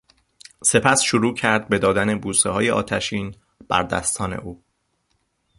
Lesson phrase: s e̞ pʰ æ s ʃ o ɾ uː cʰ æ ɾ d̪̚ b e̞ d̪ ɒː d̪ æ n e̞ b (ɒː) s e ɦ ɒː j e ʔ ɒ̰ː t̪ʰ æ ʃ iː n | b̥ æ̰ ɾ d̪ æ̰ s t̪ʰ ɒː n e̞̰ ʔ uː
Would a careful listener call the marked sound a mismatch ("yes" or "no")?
yes